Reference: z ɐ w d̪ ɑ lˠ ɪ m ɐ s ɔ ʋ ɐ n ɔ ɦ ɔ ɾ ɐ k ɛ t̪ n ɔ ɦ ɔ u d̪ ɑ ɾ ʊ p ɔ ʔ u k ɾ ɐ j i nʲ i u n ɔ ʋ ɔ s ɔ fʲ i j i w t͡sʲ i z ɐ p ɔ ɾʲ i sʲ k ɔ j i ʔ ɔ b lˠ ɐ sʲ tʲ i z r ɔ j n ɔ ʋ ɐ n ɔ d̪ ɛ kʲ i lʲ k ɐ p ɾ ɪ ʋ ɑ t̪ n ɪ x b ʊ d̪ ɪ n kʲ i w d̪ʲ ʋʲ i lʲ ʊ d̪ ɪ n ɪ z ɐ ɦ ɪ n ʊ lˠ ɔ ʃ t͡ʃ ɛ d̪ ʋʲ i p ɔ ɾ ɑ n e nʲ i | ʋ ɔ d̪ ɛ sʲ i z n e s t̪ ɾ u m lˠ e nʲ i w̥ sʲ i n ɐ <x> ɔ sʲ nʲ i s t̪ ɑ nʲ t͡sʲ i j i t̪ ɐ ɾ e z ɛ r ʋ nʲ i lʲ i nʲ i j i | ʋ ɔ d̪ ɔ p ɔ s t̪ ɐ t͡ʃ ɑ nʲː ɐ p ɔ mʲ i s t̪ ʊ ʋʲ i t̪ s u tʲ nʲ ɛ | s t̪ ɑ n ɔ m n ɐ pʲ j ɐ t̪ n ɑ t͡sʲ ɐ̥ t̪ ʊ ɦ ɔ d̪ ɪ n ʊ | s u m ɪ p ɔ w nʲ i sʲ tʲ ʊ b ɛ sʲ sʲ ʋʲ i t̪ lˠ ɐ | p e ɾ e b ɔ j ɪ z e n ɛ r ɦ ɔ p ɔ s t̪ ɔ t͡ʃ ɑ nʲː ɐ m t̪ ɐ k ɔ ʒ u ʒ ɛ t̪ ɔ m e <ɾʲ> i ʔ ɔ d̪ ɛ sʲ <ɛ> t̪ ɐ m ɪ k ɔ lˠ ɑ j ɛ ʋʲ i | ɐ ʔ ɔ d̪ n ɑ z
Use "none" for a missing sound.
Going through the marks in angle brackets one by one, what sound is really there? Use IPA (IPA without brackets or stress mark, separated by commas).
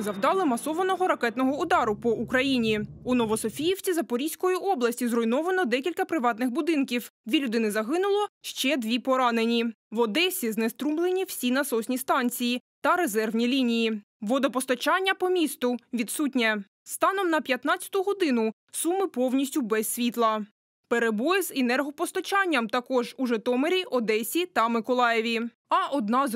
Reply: s, ɾʲ, i